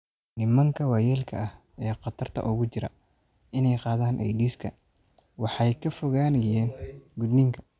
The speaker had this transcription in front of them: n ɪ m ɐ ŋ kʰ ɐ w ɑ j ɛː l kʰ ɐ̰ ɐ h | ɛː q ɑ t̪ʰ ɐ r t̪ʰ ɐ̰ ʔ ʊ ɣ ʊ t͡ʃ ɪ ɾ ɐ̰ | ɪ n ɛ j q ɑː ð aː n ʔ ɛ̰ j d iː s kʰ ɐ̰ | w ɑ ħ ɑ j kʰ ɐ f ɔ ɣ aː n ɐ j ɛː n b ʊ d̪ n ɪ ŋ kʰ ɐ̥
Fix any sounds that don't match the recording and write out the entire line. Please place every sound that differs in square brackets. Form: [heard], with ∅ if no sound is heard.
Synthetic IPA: n ɪ m ɐ ŋ kʰ ɐ w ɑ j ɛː l kʰ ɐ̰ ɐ h | ɛː q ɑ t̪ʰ ɐ r t̪ʰ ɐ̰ ʔ ʊ ɣ ʊ t͡ʃ ɪ ɾ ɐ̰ | ɪ n ɛ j q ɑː ð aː n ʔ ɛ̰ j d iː s kʰ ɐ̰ | w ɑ ħ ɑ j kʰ ɐ f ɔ ɣ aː n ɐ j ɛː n [ɡ] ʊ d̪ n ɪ ŋ kʰ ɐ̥